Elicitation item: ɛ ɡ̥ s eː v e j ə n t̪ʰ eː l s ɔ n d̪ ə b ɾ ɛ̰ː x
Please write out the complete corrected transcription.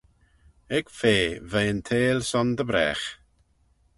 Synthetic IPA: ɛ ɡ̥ f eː v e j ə n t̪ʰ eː l s ɔ n d̪ ə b ɾ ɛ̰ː x